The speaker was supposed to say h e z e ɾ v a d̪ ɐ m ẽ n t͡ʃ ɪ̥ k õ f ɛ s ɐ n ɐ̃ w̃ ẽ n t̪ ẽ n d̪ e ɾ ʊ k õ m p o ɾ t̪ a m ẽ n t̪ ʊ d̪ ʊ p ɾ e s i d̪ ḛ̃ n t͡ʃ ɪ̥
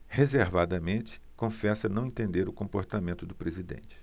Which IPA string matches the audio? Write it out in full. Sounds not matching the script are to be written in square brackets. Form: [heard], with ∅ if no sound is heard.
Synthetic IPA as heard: h e z e ɾ v a d̪ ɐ m ẽ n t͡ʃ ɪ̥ k õ f ɛ s ɐ n ɐ̃ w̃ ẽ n t̪ ẽ n d̪ e ɾ ʊ k õ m p o ɾ t̪ a m ẽ n t̪ ʊ d̪ ʊ p ɾ e [z] i d̪ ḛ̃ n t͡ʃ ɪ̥